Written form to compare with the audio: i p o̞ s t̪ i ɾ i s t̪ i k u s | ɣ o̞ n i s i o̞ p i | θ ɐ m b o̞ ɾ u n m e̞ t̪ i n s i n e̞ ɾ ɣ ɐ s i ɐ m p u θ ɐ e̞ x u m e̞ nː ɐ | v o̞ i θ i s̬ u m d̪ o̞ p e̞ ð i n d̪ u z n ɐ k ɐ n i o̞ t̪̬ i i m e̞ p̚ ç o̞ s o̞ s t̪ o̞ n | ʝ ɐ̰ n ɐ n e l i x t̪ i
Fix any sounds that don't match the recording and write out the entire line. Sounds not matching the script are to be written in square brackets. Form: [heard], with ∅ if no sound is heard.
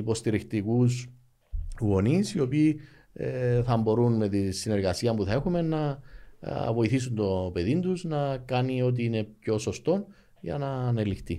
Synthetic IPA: i p o̞ s t̪ i ɾ i [x] t̪ i k u s | ɣ o̞ n i s i o̞ p [iː] | θ ɐ m b o̞ ɾ u n m e̞ t̪ i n s i n e̞ ɾ ɣ ɐ s i ɐ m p u θ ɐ e̞ x u m e̞ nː ɐ | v o̞ i θ i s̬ u [n] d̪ o̞ p e̞ ð i n d̪ u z n ɐ k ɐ n i o̞ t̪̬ i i [n] e̞ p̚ ç o̞ s o̞ s t̪ o̞ n | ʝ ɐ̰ n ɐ n e l i x t̪ i